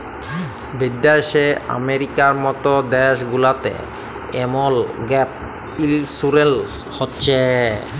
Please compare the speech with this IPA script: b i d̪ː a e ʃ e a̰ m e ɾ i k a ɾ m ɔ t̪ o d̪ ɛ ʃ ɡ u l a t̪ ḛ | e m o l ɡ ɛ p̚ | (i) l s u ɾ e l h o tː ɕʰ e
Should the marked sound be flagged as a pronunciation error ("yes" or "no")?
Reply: no